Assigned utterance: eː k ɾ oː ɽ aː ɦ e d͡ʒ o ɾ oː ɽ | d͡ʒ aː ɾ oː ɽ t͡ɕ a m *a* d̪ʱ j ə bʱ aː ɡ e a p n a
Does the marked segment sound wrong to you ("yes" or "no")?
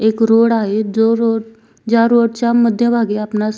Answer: yes